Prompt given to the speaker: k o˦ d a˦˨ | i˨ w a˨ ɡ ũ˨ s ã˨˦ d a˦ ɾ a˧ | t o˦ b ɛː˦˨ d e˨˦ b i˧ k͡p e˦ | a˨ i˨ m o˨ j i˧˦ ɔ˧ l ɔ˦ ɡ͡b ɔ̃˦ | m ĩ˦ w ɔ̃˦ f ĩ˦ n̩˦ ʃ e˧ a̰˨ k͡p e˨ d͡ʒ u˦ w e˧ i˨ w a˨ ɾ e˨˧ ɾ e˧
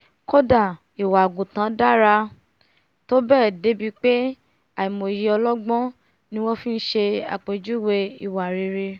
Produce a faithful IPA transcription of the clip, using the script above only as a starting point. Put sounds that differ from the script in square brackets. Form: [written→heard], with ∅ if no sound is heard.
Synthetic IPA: k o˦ d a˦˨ | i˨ w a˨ ɡ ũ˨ [s→t] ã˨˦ d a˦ ɾ a˧ | t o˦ b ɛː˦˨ d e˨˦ b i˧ k͡p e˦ | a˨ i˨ m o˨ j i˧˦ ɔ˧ l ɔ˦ ɡ͡b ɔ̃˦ | [m→n] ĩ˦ w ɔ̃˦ f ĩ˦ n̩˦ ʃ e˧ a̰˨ k͡p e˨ d͡ʒ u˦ w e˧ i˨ w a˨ ɾ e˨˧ ɾ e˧